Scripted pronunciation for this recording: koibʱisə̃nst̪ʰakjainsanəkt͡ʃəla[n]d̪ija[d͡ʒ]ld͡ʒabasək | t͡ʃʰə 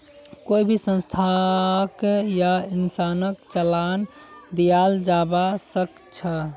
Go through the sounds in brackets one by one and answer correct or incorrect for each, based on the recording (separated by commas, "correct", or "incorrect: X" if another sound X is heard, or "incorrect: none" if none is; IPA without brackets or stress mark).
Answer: correct, incorrect: none